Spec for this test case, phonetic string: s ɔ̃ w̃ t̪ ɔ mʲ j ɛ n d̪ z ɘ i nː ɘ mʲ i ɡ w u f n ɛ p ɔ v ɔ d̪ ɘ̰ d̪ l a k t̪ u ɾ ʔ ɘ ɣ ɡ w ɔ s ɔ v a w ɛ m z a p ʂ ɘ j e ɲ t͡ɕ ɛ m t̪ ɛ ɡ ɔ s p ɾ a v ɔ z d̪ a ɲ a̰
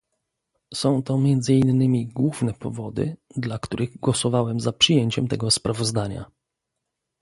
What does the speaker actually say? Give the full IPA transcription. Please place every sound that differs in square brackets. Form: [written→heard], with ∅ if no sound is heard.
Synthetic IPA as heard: s ɔ̃ w̃ t̪ ɔ mʲ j ɛ n d̪ z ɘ i nː ɘ mʲ i ɡ w u [f→v] n ɛ p ɔ v ɔ d̪ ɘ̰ d̪ l a k t̪ u ɾ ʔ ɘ ɣ ɡ w ɔ s ɔ v a w ɛ m z a p ʂ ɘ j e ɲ t͡ɕ ɛ m t̪ ɛ ɡ ɔ s p ɾ a v ɔ z d̪ a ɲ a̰